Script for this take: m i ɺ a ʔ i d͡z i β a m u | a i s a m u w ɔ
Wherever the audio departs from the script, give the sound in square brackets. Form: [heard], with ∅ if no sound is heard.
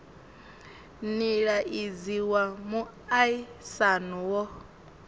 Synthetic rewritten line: [n] i ɺ a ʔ i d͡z i [w] a m u | a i s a [n] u w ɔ